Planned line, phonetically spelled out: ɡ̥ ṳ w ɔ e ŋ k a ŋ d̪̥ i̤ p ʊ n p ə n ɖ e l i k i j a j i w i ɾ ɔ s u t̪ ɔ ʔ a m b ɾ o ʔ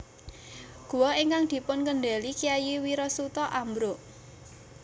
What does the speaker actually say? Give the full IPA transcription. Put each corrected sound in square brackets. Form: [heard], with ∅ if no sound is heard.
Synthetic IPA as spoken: ɡ̥ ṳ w ɔ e ŋ k a ŋ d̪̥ i̤ p ʊ n [k] ə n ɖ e l i k i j a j i w i ɾ ɔ s u t̪ ɔ ʔ a m b ɾ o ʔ